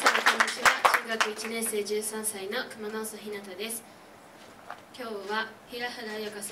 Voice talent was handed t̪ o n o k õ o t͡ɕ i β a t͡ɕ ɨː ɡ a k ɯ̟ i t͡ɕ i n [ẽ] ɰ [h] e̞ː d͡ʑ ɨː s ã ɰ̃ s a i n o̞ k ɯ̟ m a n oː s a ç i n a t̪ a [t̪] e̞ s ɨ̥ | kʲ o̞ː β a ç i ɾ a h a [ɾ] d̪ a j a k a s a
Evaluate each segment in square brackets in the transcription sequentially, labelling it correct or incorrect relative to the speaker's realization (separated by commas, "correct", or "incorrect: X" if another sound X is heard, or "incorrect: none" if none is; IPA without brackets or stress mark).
correct, incorrect: s, incorrect: d̪, incorrect: none